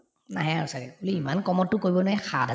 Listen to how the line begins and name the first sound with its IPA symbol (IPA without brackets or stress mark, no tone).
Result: n